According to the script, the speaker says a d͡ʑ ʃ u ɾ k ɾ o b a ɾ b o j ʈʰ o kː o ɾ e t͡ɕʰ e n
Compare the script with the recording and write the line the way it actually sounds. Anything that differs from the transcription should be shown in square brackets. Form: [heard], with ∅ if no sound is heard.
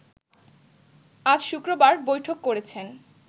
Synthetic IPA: a d͡ʑ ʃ u [∅] k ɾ o b a ɾ b o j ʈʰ o kː o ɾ e t͡ɕʰ e n